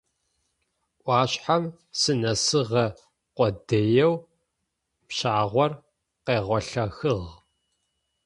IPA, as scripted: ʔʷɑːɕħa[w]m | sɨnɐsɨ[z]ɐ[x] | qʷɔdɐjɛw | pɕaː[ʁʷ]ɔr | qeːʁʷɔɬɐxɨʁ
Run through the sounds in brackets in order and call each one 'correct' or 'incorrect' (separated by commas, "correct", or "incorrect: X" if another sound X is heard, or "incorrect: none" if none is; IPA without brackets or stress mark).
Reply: incorrect: none, incorrect: ʁ, incorrect: none, correct